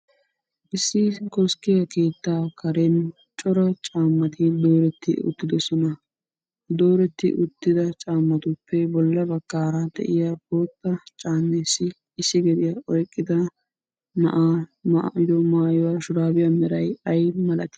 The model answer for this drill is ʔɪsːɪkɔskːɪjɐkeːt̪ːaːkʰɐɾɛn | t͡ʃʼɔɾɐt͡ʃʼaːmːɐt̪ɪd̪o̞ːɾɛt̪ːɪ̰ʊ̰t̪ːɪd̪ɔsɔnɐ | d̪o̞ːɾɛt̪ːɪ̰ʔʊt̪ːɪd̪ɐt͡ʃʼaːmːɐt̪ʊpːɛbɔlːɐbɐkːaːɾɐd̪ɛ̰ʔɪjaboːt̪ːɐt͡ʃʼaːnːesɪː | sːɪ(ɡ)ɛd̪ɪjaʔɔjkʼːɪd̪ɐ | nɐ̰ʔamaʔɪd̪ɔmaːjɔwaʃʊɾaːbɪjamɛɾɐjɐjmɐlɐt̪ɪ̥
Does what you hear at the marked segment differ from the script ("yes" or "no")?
no